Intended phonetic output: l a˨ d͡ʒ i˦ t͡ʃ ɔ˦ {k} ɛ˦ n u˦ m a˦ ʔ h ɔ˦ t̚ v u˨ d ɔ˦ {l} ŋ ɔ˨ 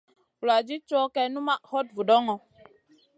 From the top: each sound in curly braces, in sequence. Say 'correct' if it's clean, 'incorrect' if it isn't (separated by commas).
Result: correct, incorrect